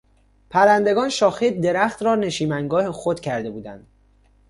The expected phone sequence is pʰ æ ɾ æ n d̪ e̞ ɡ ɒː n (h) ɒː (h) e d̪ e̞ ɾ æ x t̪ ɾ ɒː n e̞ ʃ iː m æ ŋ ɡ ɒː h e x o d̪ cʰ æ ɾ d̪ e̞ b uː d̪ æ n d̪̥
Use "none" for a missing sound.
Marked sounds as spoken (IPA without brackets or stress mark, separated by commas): ʃ, x